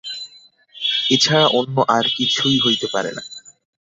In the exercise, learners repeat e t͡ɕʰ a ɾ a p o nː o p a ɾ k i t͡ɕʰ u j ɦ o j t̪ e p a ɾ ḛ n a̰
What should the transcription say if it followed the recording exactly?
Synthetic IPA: e t͡ɕʰ a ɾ a ʔ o nː o ʔ a ɾ k i t͡ɕʰ u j ɦ o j t̪ e p a ɾ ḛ n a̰